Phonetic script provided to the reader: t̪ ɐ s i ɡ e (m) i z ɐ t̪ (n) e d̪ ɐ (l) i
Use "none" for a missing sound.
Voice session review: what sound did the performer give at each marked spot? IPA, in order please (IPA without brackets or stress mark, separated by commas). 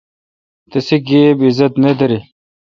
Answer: b, n, ɾ